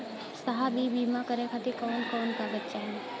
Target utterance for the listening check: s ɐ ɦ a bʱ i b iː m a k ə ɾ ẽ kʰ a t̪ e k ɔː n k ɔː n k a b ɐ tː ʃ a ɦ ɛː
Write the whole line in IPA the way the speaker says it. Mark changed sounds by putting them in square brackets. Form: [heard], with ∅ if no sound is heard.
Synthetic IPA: s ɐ ɦ a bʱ i b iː m a k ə ɾ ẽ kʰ a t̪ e k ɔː n k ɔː n k a b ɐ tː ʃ a ɦ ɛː